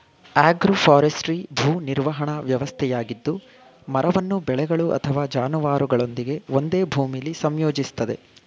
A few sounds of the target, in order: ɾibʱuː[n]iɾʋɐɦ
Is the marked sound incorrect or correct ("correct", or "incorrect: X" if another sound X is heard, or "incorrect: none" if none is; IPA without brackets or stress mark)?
correct